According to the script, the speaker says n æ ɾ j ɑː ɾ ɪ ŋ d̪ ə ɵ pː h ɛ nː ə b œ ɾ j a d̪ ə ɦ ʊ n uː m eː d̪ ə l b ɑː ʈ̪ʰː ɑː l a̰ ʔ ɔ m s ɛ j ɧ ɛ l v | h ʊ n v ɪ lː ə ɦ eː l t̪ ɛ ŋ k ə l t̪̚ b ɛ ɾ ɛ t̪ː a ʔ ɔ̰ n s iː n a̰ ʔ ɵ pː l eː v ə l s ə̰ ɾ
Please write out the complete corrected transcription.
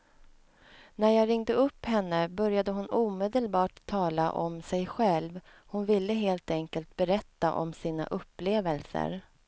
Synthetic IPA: n æ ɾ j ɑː ɾ ɪ ŋ d̪ ə ɵ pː h ɛ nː ə b œ ɾ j a d̪ ə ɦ ʊ n uː m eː d̪ ə l b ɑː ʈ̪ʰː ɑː l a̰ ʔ ɔ m s ɛ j ɧ ɛ l v | h ʊ n v ɪ lː ə ɦ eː l t̪ ɛ ŋ k ə l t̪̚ b ɛ ɾ ɛ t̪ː a ʔ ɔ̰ m s iː n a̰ ʔ ɵ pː l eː v ə l s ə̰ ɾ